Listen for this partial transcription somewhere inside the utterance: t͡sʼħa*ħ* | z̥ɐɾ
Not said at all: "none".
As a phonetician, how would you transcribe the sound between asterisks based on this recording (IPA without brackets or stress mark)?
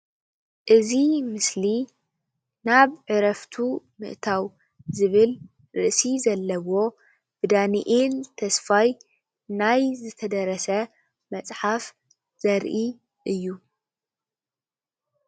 f